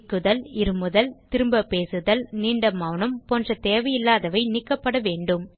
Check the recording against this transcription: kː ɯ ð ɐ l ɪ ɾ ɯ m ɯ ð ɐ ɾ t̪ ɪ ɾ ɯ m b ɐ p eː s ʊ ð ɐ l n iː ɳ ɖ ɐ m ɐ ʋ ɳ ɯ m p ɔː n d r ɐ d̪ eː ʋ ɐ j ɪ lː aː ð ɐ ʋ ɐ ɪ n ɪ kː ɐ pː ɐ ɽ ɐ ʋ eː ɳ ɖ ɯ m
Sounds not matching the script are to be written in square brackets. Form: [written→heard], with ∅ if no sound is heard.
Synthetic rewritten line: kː ɯ ð ɐ l ɪ ɾ ɯ m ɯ ð ɐ [ɾ→l] t̪ ɪ ɾ ɯ m b ɐ p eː s [ʊ→ɯ] ð ɐ l n iː ɳ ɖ ɐ m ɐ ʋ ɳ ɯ m p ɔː n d r ɐ [d̪→t̪] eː ʋ ɐ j ɪ lː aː ð ɐ ʋ ɐ ɪ n ɪ kː ɐ pː ɐ ɽ ɐ ʋ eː ɳ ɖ ɯ m